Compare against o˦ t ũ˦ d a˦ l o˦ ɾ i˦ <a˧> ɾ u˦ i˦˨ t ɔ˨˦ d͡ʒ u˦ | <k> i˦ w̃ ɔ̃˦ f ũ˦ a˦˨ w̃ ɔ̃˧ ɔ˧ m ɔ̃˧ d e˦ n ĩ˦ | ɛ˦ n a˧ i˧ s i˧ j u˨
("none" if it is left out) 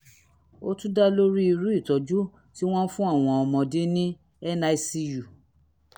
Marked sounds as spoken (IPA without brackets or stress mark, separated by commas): i˧, t